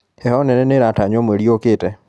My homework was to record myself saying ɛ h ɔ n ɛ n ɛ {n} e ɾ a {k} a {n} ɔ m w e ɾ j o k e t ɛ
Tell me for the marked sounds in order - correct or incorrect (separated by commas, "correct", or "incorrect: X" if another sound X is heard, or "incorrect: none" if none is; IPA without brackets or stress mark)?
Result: correct, incorrect: t, incorrect: ɲ